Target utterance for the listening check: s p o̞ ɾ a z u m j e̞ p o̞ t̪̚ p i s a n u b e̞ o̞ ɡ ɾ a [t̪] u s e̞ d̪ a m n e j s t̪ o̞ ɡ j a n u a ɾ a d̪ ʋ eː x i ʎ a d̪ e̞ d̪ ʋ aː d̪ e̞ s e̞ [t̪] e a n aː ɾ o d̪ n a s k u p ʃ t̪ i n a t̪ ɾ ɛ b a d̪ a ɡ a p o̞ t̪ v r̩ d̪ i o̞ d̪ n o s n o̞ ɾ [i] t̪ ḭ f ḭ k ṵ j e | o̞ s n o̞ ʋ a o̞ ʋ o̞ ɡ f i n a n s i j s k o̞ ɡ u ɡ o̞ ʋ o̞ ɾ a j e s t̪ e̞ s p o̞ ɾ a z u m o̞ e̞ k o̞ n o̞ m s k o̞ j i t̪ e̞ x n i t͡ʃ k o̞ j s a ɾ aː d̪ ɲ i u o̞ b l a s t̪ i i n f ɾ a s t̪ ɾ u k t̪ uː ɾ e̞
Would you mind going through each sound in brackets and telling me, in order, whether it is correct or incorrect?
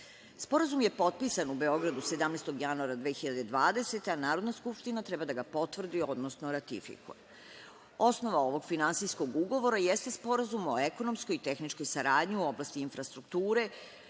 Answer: incorrect: d̪, correct, incorrect: a

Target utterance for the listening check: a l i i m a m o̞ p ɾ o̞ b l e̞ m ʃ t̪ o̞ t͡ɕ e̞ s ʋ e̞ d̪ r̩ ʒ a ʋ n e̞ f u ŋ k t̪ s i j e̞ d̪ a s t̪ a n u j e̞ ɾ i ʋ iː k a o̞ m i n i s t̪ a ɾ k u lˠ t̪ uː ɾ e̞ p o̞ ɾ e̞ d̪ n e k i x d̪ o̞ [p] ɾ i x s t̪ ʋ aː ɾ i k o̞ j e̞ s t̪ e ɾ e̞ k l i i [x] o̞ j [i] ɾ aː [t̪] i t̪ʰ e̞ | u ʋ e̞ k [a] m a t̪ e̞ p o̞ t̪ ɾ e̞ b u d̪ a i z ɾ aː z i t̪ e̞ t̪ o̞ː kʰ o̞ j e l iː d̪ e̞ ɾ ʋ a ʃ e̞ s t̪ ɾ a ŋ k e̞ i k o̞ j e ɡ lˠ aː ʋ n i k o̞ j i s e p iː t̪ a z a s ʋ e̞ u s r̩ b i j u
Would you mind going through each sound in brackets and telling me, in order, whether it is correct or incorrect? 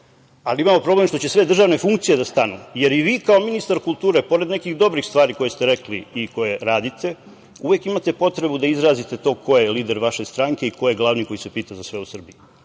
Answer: incorrect: b, incorrect: k, incorrect: e, incorrect: d̪, incorrect: i

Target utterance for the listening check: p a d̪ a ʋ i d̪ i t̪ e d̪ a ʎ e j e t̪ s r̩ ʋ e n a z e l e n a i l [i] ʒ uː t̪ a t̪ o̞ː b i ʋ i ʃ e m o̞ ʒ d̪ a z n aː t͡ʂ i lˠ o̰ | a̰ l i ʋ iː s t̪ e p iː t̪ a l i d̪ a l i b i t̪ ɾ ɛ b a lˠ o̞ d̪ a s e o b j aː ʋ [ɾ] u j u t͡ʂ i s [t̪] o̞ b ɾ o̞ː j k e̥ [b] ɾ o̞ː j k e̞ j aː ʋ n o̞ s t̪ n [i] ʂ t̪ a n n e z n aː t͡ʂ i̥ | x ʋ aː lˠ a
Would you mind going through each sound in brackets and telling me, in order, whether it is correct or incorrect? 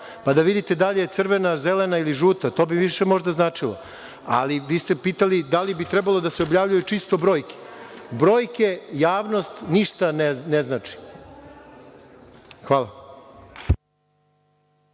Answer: correct, incorrect: ʎ, correct, correct, correct

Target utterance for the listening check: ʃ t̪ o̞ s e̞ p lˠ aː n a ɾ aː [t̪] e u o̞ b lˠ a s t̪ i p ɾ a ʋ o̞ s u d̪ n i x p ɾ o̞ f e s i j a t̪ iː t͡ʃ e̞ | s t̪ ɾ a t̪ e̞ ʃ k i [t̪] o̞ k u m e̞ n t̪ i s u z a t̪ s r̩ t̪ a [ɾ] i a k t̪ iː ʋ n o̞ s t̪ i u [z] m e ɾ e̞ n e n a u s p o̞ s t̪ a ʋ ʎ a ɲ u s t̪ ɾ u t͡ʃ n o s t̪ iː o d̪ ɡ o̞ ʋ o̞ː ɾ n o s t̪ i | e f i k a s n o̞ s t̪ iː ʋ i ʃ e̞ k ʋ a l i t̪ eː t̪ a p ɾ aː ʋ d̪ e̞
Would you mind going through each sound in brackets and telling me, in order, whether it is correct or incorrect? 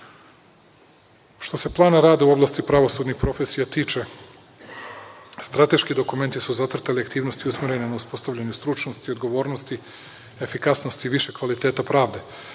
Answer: incorrect: d̪, incorrect: d̪, incorrect: l, incorrect: s

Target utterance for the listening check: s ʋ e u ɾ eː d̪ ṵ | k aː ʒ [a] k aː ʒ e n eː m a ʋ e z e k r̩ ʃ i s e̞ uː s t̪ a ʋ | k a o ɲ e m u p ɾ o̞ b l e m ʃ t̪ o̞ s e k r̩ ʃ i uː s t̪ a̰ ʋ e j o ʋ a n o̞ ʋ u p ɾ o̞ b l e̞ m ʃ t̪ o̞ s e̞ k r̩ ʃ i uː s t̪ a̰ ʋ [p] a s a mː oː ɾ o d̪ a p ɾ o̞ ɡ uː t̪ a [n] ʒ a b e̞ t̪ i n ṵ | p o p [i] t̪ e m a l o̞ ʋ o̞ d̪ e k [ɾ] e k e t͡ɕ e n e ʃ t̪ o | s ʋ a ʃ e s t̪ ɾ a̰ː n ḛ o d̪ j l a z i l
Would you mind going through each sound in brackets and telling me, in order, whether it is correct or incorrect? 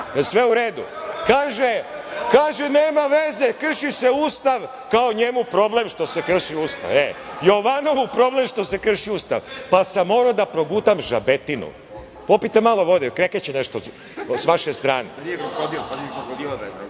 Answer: incorrect: e, correct, incorrect: m, correct, correct

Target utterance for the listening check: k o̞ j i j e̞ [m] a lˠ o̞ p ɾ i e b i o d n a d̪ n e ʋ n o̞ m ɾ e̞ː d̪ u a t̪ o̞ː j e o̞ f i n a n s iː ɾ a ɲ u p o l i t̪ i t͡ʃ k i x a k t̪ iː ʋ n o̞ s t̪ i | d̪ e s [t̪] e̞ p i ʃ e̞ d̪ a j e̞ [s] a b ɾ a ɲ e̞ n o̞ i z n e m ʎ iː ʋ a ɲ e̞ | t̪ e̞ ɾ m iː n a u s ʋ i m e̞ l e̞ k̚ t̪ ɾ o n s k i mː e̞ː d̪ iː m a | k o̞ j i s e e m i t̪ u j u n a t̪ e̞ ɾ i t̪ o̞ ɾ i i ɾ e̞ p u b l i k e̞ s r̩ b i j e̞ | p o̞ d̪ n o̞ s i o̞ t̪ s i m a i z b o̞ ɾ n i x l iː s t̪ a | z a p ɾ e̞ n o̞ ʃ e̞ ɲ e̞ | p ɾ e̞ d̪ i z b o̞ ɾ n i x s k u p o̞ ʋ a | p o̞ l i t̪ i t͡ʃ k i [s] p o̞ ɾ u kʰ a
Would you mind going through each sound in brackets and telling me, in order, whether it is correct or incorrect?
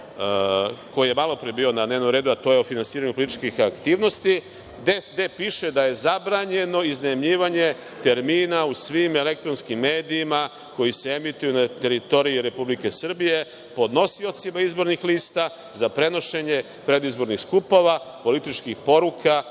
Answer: correct, incorrect: d̪, incorrect: z, incorrect: x

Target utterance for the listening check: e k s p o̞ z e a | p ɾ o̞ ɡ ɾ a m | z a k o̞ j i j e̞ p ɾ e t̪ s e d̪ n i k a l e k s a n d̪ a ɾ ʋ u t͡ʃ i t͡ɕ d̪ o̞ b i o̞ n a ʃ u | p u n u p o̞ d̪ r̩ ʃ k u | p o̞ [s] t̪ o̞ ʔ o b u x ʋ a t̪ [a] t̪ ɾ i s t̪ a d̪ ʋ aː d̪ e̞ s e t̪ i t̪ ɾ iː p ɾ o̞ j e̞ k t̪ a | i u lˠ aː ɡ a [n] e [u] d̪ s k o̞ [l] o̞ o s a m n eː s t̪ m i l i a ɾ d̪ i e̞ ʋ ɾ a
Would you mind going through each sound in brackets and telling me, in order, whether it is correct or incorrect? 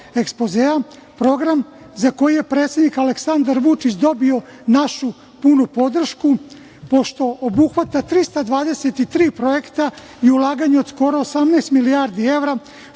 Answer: incorrect: ʃ, correct, incorrect: ɲ, incorrect: o, incorrect: ɾ

